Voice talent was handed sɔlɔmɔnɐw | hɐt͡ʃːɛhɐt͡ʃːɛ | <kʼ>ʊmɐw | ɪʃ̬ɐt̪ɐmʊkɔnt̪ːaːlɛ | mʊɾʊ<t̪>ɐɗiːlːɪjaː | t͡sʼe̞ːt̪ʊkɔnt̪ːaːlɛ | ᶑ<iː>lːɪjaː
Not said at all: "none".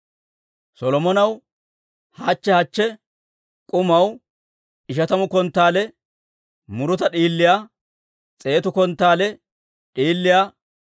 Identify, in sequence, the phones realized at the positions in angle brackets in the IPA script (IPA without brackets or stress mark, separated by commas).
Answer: kʼ, t̪, iː